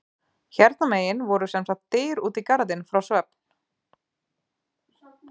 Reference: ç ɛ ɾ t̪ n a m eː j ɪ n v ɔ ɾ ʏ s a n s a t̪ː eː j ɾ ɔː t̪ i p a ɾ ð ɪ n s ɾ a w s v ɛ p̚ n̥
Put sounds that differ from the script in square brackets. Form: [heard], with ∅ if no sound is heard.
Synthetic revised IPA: ç ɛ ɾ t̪ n a m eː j ɪ n v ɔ ɾ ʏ s [ɛ] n s a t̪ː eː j ɾ [uː] t̪ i [k] a ɾ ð ɪ n [f] ɾ a w s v ɛ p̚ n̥